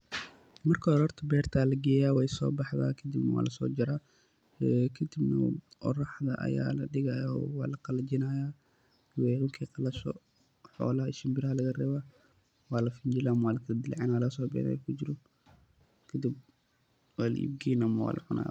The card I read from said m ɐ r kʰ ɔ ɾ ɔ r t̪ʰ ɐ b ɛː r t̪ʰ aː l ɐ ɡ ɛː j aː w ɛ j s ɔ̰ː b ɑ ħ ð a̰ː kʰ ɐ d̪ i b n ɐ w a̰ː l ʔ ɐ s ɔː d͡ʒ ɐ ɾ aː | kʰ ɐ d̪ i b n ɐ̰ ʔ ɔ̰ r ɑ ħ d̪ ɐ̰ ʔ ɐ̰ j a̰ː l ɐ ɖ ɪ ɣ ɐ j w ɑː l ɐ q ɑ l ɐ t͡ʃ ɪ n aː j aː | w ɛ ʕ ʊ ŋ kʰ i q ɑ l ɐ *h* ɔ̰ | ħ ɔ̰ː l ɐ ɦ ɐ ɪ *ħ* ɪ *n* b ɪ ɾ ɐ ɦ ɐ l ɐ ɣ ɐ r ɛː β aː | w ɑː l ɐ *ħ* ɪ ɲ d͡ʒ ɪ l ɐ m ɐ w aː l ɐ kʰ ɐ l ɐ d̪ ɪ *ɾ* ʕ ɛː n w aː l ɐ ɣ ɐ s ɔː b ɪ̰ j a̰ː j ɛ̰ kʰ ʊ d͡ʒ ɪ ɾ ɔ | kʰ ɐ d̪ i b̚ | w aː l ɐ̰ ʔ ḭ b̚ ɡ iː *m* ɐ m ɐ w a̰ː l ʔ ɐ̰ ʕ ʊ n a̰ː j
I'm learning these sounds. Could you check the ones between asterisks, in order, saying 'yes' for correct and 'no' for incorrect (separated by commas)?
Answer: no, no, no, no, no, no